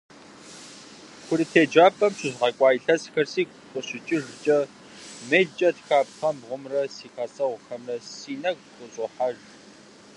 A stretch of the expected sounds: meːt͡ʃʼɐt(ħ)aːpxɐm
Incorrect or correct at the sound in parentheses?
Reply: incorrect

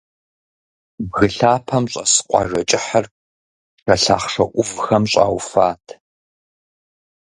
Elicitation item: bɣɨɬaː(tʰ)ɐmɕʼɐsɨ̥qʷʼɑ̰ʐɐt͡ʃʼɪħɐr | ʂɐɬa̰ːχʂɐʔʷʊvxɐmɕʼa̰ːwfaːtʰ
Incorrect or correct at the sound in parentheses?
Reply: incorrect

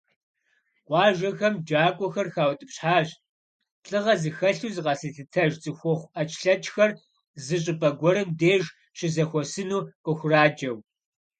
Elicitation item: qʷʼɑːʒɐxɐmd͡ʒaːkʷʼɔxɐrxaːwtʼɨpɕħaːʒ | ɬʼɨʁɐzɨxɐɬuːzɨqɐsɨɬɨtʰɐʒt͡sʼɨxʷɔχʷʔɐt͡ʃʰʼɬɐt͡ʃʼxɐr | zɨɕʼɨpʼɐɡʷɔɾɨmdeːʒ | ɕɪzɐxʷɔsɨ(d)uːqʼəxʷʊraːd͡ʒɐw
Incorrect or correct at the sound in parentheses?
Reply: incorrect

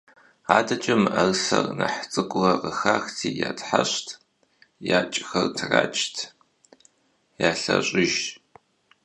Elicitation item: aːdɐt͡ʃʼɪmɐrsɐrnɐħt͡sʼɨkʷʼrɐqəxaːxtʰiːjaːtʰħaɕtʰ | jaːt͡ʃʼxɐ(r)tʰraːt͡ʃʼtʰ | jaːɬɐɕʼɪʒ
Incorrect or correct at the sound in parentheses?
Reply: correct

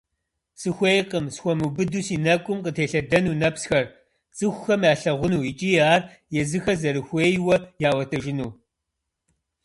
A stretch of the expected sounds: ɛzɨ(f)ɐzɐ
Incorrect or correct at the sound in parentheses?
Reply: incorrect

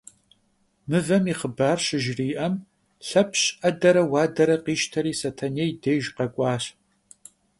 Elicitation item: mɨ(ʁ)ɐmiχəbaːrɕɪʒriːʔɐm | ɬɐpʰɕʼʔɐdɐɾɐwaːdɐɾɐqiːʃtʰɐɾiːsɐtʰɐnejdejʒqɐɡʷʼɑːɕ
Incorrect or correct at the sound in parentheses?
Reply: incorrect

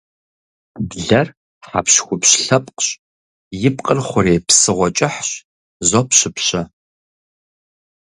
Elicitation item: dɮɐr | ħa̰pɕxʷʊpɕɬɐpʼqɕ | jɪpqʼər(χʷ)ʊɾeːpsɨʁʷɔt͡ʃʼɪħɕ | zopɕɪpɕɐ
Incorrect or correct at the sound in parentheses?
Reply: correct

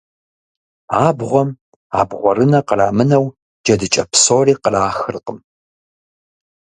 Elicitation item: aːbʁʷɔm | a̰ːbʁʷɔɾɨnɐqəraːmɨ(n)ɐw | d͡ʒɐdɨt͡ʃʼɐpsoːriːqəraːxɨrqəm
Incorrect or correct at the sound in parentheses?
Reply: correct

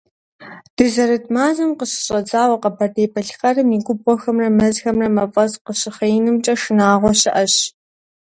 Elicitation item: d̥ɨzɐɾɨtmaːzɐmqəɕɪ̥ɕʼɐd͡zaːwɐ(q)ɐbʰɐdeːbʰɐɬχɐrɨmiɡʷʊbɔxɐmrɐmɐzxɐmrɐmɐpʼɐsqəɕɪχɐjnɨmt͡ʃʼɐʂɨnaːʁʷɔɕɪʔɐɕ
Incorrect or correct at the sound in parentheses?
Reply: correct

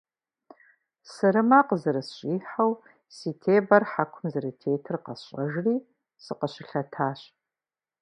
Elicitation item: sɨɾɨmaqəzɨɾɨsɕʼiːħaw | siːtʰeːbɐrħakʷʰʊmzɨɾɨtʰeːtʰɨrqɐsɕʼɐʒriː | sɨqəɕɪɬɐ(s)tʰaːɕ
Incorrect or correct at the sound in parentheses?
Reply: incorrect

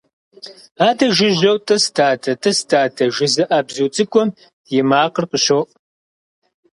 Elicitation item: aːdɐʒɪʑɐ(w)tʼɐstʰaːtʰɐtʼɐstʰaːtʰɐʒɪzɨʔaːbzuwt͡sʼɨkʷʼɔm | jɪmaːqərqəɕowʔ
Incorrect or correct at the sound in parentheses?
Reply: correct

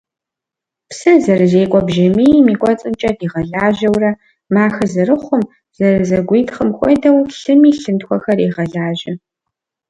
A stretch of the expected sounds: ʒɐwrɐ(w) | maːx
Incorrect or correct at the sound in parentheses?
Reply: incorrect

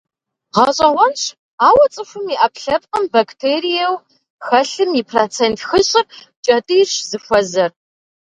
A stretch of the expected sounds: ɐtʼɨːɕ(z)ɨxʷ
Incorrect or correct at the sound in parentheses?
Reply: correct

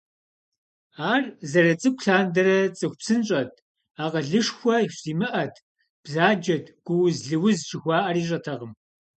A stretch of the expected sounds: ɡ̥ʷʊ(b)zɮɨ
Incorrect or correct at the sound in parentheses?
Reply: incorrect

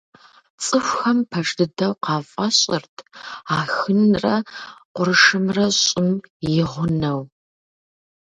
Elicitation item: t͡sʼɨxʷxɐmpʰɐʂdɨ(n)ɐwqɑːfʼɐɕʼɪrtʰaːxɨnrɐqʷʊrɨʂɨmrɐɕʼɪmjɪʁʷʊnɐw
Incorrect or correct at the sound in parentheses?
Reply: incorrect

